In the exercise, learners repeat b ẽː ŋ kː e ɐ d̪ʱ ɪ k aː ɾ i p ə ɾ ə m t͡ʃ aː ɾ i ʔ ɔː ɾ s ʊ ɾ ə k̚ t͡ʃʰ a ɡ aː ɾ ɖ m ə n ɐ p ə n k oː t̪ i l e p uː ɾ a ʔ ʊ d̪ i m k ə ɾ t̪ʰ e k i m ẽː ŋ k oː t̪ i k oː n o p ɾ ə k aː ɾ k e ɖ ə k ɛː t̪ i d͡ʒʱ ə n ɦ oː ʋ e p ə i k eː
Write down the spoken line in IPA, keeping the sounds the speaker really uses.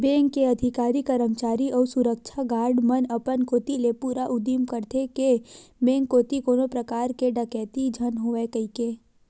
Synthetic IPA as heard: b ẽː ŋ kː e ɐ d̪ʱ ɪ k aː ɾ i k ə ɾ ə m t͡ʃ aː ɾ i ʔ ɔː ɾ s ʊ ɾ ə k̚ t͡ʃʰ a ɡ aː ɾ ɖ m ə n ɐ p ə n k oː t̪ i l e p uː ɾ a ʔ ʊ d̪ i m k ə ɾ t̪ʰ e k e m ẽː ŋ k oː t̪ i k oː n o p ɾ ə k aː ɾ k e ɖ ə k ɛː t̪ i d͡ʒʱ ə n ɦ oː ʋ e k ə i k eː

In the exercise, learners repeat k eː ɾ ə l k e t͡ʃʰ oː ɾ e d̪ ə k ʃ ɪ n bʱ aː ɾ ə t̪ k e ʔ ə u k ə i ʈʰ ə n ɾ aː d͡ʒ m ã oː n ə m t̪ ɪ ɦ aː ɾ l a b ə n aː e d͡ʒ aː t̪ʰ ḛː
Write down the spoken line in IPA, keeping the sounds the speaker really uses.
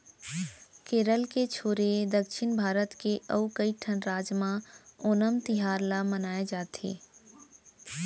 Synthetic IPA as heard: k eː ɾ ə l k e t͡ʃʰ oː ɾ e d̪ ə k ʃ ɪ n bʱ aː ɾ ə t̪ k e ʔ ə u k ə i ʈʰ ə n ɾ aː d͡ʒ m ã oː n ə m t̪ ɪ ɦ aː ɾ l a m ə n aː e d͡ʒ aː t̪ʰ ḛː

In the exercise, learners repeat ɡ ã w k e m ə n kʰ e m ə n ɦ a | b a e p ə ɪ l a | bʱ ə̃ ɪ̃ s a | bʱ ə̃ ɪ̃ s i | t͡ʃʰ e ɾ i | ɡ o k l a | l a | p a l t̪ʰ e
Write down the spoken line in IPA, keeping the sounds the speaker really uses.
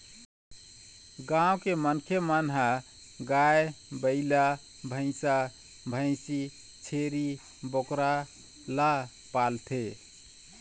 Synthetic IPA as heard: ɡ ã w k e m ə n kʰ e m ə n ɦ a | ɡ a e b ə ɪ l a | bʱ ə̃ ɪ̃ s a | bʱ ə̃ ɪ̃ s i | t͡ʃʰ e ɾ i | b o k ɾ a | l a | p a l t̪ʰ e

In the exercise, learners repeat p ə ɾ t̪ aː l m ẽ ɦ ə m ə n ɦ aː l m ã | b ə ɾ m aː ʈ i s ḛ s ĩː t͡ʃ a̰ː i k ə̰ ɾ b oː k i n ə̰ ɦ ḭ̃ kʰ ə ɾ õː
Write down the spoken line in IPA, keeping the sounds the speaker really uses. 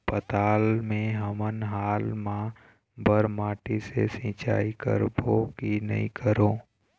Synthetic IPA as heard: p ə t̪ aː l m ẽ ɦ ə m ə n ɦ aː l m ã | b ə ɾ m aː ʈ i s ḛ s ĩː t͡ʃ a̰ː i k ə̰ ɾ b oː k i n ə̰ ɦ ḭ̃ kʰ ə ɾ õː

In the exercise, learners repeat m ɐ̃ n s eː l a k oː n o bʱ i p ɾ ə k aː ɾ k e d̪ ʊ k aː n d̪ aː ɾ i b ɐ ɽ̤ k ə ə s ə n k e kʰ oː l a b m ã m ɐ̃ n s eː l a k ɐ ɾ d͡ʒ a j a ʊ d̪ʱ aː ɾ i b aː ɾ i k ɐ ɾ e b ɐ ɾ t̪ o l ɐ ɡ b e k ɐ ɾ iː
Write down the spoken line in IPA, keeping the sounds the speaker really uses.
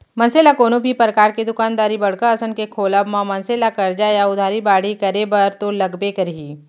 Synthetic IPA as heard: m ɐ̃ n s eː l a k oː n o bʱ i p ɾ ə k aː ɾ k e d̪ ʊ k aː n d̪ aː ɾ i b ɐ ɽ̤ k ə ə s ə n k e kʰ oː l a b m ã m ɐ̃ n s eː l a k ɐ ɾ d͡ʒ a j a ʊ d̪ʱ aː ɾ i b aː ɽ i k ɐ ɾ e b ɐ ɾ t̪ o l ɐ ɡ b e k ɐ ɾ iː

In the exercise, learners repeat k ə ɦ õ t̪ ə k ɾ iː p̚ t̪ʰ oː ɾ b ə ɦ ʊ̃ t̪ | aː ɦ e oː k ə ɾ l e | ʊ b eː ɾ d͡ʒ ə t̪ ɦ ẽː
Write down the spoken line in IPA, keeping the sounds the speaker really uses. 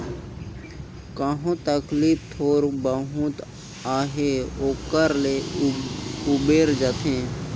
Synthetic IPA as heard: k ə ɦ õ t̪ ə k l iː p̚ t̪ʰ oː ɾ b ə ɦ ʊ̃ t̪ | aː ɦ e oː k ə ɾ l e | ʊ b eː ɾ d͡ʒ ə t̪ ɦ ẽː

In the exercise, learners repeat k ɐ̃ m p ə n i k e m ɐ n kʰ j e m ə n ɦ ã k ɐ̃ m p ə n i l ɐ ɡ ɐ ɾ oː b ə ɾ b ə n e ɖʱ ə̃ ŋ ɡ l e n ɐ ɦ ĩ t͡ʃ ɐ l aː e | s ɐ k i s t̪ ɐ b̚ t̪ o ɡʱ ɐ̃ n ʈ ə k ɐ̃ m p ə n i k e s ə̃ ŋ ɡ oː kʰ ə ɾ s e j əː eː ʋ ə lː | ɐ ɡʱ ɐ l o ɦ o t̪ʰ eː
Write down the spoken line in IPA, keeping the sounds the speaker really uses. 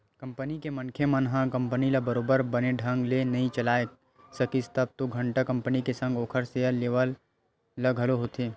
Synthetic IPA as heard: k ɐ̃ m p ə n i k e m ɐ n kʰ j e m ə n ɦ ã k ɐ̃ m p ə n i l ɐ b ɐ ɾ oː b ə ɾ b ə n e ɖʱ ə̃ ŋ ɡ l e n ɐ ɦ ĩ t͡ʃ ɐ l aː e | s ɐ k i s t̪ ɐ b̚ t̪ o ɡʱ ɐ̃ ɳ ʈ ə k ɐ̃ m p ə n i k e s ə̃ ŋ ɡ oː kʰ ə ɾ s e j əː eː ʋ ə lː | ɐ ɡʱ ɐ l o ɦ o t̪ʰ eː

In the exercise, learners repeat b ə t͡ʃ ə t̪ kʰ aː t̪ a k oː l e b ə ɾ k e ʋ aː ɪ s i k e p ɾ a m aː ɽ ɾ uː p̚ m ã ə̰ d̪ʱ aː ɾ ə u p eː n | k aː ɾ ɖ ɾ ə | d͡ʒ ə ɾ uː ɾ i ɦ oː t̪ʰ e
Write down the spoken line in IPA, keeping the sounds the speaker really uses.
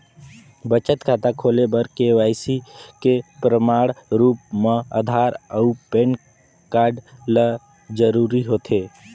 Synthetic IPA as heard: b ə t͡ʃ ə t̪ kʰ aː t̪ a kʰ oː l e b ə ɾ k e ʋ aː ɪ s i k e p ɾ ə m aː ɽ ɾ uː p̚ m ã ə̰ d̪ʱ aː ɾ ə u p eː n | k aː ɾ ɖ l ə | d͡ʒ ə ɾ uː ɾ i ɦ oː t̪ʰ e

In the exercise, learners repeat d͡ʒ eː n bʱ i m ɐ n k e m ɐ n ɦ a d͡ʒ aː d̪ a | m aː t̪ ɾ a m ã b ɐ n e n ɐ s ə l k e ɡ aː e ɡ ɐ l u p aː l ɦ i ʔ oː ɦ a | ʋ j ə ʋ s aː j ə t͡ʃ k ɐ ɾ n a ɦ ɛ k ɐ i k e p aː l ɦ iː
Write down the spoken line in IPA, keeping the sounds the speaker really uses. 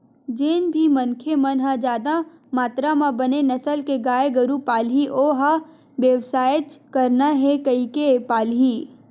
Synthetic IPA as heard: d͡ʒ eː n bʱ i m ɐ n kʰ e m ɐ n ɦ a d͡ʒ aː d̪ a | m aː t̪ ɾ a m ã b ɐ n e n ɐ s ə l k e ɡ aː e ɡ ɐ ɾ u p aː l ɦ i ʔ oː ɦ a | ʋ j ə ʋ s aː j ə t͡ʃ k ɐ ɾ n a ɦ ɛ k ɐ i k e p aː l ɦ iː

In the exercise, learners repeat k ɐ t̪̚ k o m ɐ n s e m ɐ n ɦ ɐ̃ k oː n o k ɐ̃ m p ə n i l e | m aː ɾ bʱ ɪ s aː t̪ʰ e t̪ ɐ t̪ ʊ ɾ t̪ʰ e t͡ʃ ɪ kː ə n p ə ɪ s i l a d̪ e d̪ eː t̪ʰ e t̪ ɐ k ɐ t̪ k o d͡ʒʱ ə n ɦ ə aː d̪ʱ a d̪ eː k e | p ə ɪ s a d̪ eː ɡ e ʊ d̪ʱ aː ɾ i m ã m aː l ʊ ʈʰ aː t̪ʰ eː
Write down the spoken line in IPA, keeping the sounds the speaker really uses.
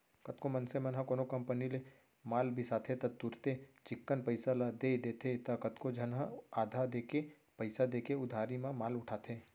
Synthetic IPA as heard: k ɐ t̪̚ k o m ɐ n s e m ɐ n ɦ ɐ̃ k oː n o k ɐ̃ m p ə n i l e | m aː l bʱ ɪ s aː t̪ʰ e t̪ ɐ t̪ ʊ ɾ t̪ e t͡ʃ ɪ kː ə n p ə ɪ s a l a d̪ e d̪ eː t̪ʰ e t̪ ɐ k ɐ t̪ k o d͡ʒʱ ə n ɦ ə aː d̪ʱ a d̪ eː k e | p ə ɪ s a d̪ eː k e ʊ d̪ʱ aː ɾ i m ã m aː l ʊ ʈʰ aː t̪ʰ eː

